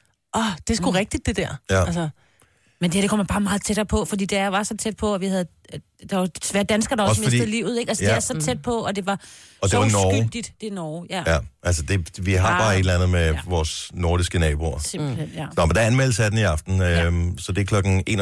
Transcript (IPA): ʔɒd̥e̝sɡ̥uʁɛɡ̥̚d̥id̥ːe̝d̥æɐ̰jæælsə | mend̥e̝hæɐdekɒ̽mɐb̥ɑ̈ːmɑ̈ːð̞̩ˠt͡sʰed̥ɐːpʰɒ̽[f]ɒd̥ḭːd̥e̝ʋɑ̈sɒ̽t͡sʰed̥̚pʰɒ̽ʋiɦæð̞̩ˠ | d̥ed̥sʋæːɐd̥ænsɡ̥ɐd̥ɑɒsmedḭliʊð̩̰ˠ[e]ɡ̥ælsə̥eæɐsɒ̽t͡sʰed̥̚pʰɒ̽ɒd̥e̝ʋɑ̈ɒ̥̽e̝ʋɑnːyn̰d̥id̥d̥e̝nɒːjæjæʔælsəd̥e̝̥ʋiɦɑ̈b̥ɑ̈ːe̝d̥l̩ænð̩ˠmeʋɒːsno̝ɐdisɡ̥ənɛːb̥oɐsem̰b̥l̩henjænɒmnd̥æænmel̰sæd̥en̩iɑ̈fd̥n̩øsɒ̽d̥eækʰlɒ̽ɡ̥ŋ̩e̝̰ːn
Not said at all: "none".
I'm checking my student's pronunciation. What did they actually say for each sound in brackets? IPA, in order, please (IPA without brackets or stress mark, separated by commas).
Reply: f, e